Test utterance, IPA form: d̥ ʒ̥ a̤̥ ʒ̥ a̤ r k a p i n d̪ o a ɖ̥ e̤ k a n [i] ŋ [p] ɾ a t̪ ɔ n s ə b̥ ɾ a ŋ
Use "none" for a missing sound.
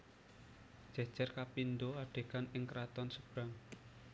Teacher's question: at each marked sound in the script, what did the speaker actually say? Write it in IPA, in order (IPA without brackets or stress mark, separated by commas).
ɪ, k